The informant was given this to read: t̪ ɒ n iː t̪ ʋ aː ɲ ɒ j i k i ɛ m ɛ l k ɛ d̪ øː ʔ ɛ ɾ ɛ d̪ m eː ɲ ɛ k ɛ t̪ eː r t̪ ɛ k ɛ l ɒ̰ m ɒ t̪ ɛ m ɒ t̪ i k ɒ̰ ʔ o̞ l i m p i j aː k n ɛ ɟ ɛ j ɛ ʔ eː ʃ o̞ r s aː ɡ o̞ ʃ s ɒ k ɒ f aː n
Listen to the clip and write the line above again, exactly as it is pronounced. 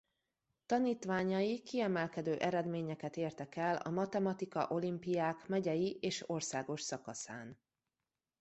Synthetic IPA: t̪ ɒ n iː t̪ ʋ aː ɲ ɒ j i k i ɛ m ɛ l k ɛ d̪ øː ʔ ɛ ɾ ɛ d̪ m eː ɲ ɛ k ɛ t̪ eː r t̪ ɛ k ɛ l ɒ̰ m ɒ t̪ ɛ m ɒ t̪ i k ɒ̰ ʔ o̞ l i m p i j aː k m ɛ ɟ ɛ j i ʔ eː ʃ o̞ r s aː ɡ o̞ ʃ s ɒ k ɒ s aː n